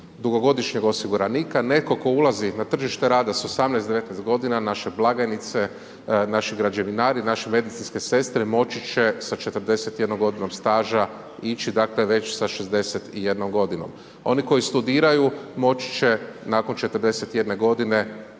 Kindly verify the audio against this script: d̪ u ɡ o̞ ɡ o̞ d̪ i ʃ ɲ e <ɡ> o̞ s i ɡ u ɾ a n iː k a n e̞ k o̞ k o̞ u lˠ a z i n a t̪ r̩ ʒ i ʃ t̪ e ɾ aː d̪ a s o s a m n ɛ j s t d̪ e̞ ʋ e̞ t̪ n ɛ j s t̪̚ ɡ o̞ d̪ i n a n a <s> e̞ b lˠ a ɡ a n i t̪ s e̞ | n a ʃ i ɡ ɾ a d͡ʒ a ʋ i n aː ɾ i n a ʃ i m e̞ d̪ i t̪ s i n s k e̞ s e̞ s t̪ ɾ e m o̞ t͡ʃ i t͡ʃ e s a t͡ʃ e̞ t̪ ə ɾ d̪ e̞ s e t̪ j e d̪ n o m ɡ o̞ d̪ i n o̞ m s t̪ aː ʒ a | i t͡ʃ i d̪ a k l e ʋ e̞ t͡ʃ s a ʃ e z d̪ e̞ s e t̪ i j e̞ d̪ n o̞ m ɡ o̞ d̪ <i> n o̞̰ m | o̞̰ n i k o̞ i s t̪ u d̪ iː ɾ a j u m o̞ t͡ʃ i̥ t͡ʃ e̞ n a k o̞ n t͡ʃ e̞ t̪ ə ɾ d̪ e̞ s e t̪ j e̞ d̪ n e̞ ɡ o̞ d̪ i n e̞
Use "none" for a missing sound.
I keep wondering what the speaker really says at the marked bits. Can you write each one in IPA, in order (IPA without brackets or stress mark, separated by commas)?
ɡ, ʃ, i